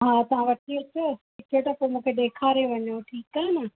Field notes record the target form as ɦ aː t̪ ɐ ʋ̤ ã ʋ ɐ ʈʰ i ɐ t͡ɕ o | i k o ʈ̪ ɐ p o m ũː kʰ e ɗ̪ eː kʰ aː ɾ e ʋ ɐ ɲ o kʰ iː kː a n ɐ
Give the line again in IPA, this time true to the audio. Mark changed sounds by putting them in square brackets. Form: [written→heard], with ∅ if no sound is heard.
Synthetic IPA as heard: ɦ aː t̪ ɐ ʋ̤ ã ʋ ɐ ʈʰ i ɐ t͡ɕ o | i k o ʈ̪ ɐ p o m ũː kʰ e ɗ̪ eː kʰ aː ɾ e ʋ ɐ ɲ o [kʰ→ʈʰ] iː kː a n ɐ